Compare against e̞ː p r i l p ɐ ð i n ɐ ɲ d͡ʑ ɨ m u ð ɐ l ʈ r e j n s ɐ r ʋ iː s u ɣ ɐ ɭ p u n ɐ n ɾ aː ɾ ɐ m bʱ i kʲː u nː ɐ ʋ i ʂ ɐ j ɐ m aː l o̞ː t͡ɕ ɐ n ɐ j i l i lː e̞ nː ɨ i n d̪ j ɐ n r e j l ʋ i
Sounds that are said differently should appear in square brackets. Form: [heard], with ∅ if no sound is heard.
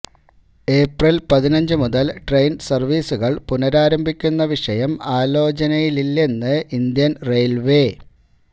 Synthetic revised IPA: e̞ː p r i l p ɐ ð i n ɐ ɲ d͡ʑ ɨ m u ð ɐ l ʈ r e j n s ɐ r ʋ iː s u ɣ ɐ ɭ p u n ɐ [∅] ɾ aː ɾ ɐ m bʱ i kʲː u nː ɐ ʋ i ʂ ɐ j ɐ m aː l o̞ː t͡ɕ ɐ n ɐ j i l i lː e̞ nː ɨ i n d̪ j ɐ n r e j l ʋ [e]